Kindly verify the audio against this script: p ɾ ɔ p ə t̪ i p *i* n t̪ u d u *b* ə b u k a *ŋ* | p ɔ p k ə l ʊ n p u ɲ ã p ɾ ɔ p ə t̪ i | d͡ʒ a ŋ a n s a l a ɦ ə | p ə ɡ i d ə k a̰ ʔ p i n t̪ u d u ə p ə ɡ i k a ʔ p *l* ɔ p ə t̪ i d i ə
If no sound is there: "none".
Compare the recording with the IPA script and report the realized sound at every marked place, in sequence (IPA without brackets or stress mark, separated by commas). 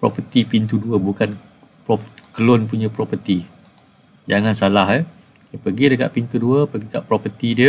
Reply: i, none, n, ɾ